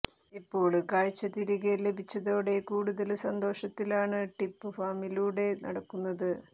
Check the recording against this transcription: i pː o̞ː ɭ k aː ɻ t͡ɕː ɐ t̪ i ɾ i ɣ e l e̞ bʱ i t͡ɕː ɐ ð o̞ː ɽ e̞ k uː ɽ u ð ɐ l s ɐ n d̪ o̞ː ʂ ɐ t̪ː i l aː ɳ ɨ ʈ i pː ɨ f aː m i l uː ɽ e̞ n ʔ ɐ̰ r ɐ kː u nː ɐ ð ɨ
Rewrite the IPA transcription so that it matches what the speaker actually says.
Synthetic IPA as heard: i pː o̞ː ɭ k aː ɻ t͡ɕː ɐ t̪ i ɾ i ɣ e l e̞ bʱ i t͡ɕː ɐ ð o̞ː ɽ e̞ k uː ɽ u ð ɐ l s ɐ n d̪ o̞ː ʂ ɐ t̪ː i l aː ɳ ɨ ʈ i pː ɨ f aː m i l uː ɽ e̞ n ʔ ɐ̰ ɽ ɐ kː u nː ɐ ð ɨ